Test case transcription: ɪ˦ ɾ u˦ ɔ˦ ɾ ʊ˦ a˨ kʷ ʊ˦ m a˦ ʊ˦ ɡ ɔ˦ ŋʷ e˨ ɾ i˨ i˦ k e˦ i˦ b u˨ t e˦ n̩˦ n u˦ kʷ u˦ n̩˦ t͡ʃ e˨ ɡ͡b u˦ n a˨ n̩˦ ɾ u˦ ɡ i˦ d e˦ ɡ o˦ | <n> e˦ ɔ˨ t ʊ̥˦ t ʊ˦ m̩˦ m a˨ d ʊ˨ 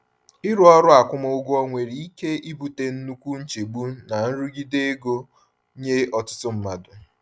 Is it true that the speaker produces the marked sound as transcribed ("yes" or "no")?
no